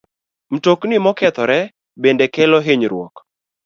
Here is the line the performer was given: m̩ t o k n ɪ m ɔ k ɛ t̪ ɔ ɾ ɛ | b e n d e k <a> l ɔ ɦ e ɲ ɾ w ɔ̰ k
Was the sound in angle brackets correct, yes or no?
no